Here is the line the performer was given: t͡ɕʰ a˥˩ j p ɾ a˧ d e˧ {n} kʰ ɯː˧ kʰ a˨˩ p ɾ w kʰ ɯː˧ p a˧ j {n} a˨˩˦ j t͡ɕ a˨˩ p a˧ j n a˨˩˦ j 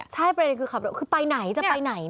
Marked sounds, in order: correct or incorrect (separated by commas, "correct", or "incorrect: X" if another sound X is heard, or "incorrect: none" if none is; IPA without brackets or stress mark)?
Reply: correct, correct